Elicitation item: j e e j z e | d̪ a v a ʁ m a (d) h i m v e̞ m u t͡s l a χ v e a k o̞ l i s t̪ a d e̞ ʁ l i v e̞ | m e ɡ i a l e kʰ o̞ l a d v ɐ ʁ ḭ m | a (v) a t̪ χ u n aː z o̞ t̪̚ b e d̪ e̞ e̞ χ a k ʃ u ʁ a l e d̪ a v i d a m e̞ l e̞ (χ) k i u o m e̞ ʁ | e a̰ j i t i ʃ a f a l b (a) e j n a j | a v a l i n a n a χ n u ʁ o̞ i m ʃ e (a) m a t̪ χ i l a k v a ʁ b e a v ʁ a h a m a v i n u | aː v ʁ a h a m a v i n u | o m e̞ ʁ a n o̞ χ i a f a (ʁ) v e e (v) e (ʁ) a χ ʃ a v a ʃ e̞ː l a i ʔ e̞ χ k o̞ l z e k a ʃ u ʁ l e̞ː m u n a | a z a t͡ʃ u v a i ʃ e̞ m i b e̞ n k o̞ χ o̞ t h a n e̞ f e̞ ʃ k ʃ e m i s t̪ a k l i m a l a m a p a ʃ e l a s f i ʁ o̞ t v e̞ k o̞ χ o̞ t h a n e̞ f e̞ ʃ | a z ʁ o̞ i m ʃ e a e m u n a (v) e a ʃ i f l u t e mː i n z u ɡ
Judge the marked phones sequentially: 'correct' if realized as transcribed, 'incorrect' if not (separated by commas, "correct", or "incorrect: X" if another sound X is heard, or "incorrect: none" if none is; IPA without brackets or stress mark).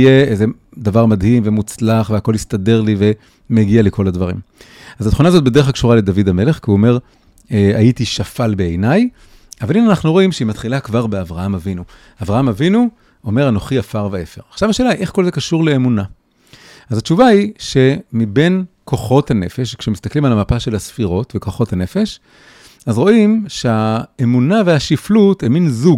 correct, incorrect: z, correct, incorrect: e, incorrect: i, correct, incorrect: f, correct, correct